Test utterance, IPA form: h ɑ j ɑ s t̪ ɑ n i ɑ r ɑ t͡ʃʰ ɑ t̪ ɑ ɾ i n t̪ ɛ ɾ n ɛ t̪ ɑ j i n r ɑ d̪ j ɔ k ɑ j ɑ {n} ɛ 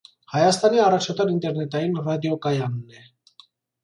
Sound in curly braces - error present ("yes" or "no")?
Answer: yes